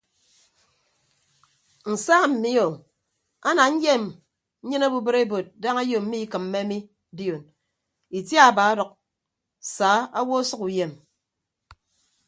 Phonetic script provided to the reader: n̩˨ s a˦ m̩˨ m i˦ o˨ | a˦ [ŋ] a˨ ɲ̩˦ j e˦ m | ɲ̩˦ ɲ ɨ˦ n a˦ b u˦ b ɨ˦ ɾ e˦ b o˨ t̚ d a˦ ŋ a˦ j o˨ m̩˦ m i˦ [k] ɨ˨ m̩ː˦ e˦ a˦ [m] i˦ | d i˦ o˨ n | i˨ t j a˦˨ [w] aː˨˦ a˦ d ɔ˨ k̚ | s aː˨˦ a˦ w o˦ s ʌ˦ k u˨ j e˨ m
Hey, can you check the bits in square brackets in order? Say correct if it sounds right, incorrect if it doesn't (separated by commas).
incorrect, correct, correct, incorrect